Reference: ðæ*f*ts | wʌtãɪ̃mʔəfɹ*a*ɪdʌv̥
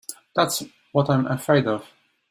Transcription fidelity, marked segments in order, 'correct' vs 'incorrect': incorrect, incorrect

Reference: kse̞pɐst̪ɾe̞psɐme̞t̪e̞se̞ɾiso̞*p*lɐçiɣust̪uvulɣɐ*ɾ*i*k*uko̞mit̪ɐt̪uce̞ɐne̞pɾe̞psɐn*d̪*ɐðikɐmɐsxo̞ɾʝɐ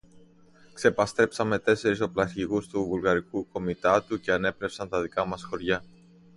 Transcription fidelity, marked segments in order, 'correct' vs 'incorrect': correct, correct, correct, incorrect

